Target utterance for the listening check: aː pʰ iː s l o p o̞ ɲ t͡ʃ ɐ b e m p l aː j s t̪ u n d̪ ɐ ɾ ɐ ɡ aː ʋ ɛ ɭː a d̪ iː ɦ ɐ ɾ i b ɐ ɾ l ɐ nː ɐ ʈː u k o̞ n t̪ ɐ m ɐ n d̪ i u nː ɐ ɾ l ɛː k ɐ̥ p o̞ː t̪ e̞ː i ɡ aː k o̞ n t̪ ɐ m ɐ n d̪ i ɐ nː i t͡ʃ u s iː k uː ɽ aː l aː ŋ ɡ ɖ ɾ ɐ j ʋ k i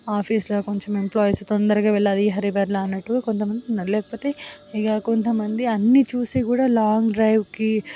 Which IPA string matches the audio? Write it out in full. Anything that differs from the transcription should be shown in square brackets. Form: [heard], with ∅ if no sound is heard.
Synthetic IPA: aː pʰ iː s l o [k] o̞ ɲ t͡ʃ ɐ [m] e m p l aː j s t̪ [o] n d̪ ɐ ɾ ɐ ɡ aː ʋ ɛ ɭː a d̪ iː ɦ ɐ ɾ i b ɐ ɾ l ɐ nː ɐ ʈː u k o̞ n t̪ ɐ m ɐ n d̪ i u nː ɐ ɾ l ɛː k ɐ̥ p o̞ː t̪ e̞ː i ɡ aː k o̞ n t̪ ɐ m ɐ n d̪ i ɐ nː i t͡ʃ [uː] s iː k uː ɽ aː l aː ŋ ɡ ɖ ɾ ɐ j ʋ k i